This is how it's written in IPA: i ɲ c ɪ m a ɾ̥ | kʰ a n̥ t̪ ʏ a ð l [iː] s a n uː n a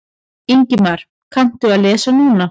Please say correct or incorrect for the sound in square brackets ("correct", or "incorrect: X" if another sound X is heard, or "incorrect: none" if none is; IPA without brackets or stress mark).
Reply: incorrect: ɛː